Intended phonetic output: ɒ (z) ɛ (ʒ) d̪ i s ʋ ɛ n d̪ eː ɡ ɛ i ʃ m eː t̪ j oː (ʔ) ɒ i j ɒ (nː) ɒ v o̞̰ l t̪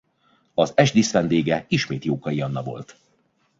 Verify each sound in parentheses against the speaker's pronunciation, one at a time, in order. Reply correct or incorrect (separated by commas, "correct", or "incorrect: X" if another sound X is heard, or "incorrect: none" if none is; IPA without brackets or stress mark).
correct, correct, incorrect: k, correct